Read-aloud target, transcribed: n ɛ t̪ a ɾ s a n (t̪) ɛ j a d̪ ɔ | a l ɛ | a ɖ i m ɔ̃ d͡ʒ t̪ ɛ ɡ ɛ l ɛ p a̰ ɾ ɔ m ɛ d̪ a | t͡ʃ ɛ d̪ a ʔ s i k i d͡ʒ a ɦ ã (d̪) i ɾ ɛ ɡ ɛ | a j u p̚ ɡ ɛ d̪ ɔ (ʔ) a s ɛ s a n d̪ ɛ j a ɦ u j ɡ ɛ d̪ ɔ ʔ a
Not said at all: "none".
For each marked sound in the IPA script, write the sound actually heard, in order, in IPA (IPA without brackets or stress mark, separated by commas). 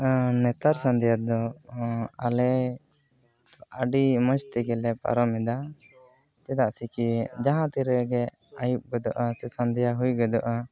d̪, t̪, ʔ